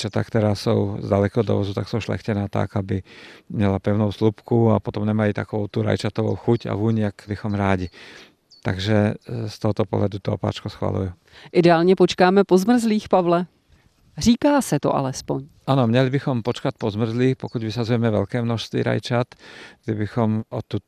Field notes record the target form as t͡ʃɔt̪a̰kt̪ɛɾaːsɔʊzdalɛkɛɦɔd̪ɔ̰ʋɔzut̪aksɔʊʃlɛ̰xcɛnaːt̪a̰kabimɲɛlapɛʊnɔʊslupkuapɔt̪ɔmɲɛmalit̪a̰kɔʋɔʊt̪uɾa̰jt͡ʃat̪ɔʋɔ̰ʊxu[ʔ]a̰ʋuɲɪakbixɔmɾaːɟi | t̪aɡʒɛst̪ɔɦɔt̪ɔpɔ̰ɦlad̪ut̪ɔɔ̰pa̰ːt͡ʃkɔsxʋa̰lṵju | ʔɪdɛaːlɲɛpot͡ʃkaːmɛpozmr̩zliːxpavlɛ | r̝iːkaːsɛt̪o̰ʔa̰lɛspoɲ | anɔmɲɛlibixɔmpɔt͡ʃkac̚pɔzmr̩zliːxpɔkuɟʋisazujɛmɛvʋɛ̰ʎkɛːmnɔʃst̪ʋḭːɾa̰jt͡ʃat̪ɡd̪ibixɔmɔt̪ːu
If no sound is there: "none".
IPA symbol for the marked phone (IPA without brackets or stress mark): c